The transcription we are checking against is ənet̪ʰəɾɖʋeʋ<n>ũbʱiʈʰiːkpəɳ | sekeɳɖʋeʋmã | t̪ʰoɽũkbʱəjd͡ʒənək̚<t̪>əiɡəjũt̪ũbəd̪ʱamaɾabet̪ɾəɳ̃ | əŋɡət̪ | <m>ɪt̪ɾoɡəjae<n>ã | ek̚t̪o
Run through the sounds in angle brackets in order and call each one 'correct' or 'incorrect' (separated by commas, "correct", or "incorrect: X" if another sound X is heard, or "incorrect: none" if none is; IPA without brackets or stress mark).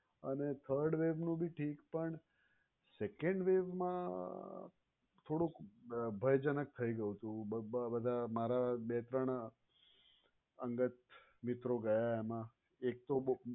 correct, incorrect: t̪ʰ, correct, incorrect: m